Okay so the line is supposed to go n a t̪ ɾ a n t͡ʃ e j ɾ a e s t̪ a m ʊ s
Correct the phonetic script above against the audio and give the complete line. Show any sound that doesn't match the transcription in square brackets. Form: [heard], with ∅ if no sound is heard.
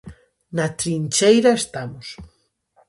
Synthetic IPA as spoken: n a t̪ ɾ [i] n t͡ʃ e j ɾ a e s t̪ a m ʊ s

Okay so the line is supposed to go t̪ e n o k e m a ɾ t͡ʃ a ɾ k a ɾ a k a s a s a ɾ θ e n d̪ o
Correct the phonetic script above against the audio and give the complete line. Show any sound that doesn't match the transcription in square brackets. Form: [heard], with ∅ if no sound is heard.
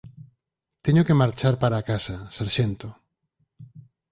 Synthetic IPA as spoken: t̪ e [ɲ] o k e m a ɾ t͡ʃ a ɾ [p] a ɾ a k a s a s a ɾ [ʃ] e n [t̪] o

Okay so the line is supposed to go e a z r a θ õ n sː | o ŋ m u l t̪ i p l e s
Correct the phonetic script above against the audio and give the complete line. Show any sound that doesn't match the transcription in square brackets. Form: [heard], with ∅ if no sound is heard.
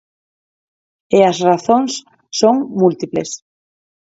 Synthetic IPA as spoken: e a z r a θ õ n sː | o ŋ m u l t̪ i p l e s

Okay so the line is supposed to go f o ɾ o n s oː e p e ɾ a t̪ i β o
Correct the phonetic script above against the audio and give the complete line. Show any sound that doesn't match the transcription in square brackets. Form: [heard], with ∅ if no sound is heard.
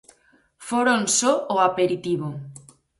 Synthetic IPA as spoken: f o ɾ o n s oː [a] p e ɾ [i] t̪ i β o

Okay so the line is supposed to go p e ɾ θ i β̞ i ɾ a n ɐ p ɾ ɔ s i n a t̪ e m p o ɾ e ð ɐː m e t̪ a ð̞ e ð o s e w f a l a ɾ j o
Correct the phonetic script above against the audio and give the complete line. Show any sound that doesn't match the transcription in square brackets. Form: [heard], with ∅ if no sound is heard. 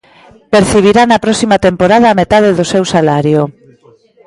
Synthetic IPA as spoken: p e ɾ θ i β̞ i ɾ a n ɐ p ɾ ɔ s i [m] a t̪ e m p o ɾ [a] ð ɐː m e t̪ a ð̞ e ð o s e w [s] a l a ɾ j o

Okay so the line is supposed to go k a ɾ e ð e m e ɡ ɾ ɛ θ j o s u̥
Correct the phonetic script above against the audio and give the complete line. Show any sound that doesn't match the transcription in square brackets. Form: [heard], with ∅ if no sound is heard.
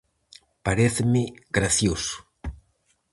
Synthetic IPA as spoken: [p] a ɾ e [θ] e m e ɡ ɾ [a] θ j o s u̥

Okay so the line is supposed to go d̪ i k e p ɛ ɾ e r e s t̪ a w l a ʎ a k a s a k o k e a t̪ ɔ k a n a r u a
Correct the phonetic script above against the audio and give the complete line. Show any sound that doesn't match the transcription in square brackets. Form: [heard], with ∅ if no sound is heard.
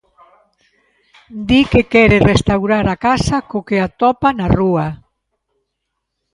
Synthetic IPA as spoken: d̪ i k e [k] ɛ ɾ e r e s t̪ a w [ɾ] a [ɾ] a k a s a k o k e a t̪ ɔ [p] a n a r u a

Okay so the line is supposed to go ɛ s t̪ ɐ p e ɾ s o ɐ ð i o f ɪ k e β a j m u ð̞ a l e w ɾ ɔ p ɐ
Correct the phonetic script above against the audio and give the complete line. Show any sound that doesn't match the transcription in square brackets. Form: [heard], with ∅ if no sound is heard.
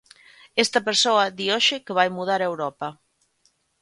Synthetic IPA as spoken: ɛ s t̪ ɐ p e ɾ s o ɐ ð i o [ʃ] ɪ k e β a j m u ð̞ a [ɾ] e w ɾ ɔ p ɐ

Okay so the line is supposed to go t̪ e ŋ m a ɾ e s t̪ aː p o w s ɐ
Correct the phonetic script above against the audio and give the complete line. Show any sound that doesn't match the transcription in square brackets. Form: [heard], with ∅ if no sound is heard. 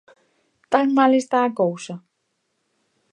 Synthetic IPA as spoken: t̪ [a] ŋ m a [l] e s t̪ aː [k] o w s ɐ

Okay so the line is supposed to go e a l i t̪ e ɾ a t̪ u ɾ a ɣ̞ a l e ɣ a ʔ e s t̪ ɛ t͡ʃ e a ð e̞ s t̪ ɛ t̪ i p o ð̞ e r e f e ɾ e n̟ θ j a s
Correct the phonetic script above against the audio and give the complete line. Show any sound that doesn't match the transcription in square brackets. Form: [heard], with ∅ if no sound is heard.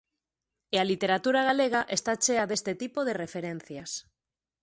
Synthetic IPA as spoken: e a l i t̪ e ɾ a t̪ u ɾ a ɣ̞ a l e ɣ a ʔ e s t̪ [a] t͡ʃ e a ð e̞ s t̪ [e] t̪ i p o ð̞ e r e f e ɾ e n̟ θ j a s

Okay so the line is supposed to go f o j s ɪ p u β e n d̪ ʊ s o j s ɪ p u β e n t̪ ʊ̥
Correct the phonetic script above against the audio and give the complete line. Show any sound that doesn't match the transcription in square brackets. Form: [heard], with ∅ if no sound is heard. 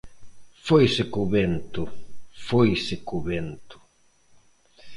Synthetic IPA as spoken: f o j s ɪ [k] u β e n [t̪] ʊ [f] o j s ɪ [k] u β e n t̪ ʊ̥

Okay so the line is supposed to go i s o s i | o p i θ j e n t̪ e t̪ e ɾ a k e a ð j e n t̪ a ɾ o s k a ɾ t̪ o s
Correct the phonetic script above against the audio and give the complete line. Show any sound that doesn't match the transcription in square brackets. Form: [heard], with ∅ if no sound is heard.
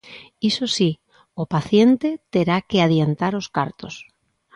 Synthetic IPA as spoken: i s o s i | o p [a] θ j e n t̪ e t̪ e ɾ a k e a ð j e n t̪ a ɾ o s k a ɾ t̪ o s

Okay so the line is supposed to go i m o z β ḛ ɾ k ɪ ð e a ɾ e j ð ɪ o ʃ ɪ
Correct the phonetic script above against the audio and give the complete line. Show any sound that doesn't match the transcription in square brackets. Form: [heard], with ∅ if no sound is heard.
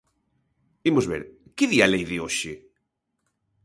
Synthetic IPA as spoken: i m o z β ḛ ɾ k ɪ ð [i] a [l] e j ð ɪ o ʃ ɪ

